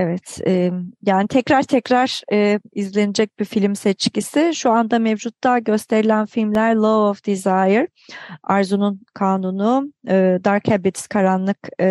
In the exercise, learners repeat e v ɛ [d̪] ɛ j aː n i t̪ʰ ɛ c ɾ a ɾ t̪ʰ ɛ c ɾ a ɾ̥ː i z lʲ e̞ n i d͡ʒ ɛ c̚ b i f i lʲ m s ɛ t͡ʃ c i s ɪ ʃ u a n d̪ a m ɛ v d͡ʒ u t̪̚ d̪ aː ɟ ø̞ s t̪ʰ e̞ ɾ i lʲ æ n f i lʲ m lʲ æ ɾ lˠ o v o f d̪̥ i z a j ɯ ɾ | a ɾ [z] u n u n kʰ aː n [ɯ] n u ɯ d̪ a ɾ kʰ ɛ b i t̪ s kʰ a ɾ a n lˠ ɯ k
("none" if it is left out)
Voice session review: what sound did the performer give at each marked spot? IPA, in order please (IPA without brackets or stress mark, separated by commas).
t̪, z, u